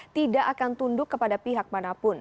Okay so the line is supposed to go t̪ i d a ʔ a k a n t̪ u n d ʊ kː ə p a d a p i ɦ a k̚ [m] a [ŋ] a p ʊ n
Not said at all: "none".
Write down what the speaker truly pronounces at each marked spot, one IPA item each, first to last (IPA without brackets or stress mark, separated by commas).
m, n